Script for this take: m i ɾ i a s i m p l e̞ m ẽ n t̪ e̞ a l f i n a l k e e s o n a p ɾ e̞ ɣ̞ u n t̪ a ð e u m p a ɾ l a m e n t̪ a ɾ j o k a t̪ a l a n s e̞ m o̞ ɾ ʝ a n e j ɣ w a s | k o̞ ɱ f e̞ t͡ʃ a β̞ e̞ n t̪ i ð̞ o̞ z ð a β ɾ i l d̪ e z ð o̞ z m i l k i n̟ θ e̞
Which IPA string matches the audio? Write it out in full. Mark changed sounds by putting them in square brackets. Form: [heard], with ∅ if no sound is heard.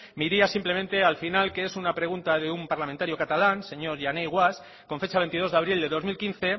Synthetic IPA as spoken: m i ɾ i a s i m p l e̞ m ẽ n t̪ e̞ a l f i n a l k e e s [u] n a p ɾ e̞ ɣ̞ u n t̪ a ð e u m p a ɾ l a m e n t̪ a ɾ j o k a t̪ a l a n s e̞ [ɲ] o̞ ɾ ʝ a n e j ɣ w a s | k o̞ ɱ f e̞ t͡ʃ a β̞ e̞ n t̪ i ð̞ o̞ z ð a β ɾ i l d̪ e [∅] ð o̞ z m i l k i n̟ θ e̞